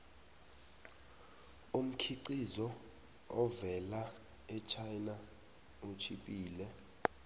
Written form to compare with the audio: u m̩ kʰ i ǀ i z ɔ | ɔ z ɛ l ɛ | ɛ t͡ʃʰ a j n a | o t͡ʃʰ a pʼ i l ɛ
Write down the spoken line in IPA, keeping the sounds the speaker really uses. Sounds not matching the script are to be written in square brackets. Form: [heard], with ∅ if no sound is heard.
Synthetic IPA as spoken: u m̩ kʰ i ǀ i z ɔ | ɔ [v] ɛ l [a] | ɛ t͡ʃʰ a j n a | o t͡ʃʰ [i] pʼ [iː] l ɛ